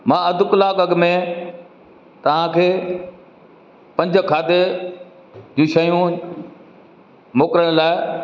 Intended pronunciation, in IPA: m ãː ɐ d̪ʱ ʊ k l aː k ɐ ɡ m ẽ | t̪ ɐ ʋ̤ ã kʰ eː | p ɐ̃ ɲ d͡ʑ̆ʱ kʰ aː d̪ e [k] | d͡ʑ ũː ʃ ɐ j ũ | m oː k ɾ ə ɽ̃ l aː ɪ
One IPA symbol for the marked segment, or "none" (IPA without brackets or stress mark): none